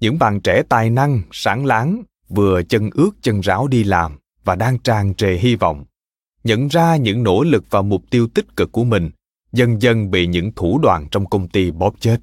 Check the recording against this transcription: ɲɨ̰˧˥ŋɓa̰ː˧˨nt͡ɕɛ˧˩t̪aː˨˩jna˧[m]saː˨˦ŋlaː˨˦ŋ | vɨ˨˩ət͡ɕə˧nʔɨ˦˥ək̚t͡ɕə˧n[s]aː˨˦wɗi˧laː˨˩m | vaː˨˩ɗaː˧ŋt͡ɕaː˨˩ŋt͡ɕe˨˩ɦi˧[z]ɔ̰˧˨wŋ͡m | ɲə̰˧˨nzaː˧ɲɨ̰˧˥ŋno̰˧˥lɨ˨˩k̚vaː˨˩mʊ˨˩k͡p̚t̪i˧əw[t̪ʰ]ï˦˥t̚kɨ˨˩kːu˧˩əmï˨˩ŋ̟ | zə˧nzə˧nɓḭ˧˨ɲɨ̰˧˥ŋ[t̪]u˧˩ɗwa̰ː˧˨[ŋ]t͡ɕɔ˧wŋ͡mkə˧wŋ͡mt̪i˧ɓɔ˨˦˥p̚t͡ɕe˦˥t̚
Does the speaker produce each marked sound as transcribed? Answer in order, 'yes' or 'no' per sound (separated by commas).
no, no, no, no, no, no